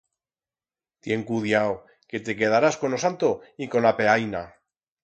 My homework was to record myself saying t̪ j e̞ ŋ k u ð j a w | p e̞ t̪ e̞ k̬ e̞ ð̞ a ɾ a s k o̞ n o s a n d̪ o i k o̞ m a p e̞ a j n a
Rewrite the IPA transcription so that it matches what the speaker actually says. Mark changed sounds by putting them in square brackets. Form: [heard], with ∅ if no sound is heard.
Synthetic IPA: t̪ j e̞ ŋ k u ð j a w | [k] e̞ t̪ e̞ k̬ e̞ ð̞ a ɾ a s k o̞ n o s a n [t̪] o i k o̞ [n] a p e̞ a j n a